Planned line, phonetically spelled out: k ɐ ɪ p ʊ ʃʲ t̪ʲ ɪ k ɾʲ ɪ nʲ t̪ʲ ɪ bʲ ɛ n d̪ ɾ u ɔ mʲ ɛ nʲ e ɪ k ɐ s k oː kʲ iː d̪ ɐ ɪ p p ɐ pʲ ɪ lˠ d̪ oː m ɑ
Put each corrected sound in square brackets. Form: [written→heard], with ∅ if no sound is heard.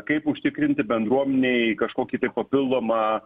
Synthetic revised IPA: k ɐ ɪ p ʊ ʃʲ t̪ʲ ɪ k ɾʲ ɪ nʲ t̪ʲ ɪ bʲ ɛ n d̪ ɾ u ɔ mʲ ɛ nʲ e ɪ k ɐ [s→ʃ] k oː kʲ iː [d̪→t̪] ɐ ɪ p p ɐ pʲ ɪ lˠ d̪ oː m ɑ